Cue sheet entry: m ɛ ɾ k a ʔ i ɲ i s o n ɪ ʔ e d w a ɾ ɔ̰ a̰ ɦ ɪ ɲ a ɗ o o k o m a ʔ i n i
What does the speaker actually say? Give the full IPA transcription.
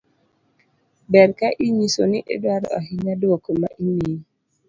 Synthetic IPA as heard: b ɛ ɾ k a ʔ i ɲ i s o n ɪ ʔ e d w a ɾ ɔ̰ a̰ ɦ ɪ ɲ a d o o k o m a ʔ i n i